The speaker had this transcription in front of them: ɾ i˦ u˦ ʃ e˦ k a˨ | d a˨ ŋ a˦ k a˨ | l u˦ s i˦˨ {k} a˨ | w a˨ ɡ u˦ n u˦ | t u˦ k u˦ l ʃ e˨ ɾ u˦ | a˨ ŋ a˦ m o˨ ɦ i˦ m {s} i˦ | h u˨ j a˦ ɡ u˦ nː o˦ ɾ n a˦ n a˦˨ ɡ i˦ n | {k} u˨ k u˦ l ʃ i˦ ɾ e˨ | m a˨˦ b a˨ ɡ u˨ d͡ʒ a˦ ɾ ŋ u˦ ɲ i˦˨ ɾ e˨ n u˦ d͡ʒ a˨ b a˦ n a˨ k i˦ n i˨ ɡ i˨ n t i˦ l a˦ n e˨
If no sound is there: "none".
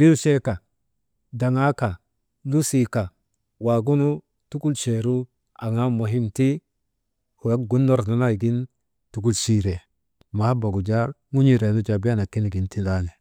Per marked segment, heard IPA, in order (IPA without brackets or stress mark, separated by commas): k, t, t